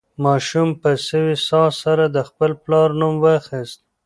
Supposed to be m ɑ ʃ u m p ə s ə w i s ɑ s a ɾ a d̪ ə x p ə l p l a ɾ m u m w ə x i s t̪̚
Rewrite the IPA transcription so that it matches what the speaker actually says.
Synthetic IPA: m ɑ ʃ u m p ə s ə w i s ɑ s a ɾ a d̪ ə x p ə l p l ɑ ɾ n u m w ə x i s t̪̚